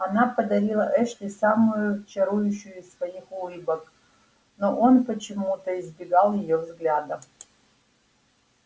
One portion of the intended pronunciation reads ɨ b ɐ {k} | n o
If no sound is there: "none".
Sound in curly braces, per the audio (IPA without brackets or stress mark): k